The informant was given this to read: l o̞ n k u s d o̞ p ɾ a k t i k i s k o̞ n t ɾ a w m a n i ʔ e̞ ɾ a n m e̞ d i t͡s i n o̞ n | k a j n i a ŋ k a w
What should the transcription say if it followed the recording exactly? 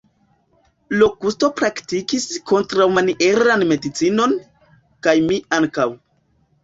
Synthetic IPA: l o̞ k u s t o̞ p ɾ a k t i k i s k o̞ n t ɾ a w m a n i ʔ e̞ ɾ a n m e̞ d i t͡s i n o̞ n | k a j m i a ŋ k a w